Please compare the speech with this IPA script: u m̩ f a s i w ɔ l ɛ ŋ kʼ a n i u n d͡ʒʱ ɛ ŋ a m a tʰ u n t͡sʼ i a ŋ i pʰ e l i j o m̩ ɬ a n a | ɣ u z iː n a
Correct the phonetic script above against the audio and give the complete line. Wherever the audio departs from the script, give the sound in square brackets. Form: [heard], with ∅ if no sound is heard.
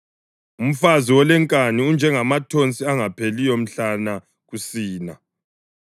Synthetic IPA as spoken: u m̩ f a [z] i w ɔ l ɛ ŋ kʼ a n i u n d͡ʒʱ ɛ ŋ a m a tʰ [o] n t͡sʼ i a ŋ [a] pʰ e l i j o m̩ ɬ a n a | ɣ u [s] iː n a